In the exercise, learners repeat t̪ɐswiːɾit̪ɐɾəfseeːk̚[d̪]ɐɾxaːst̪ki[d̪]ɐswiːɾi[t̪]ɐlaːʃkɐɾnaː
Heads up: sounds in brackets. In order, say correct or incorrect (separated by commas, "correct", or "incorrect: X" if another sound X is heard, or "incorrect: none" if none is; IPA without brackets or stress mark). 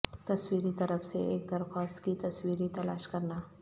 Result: correct, incorrect: t̪, correct